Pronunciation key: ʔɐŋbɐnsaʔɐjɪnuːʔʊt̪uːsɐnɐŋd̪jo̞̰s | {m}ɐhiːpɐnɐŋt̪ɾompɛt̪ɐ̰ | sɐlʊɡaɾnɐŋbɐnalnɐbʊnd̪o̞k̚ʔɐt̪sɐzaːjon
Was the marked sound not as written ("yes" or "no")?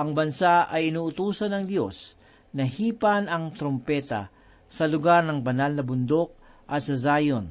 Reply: yes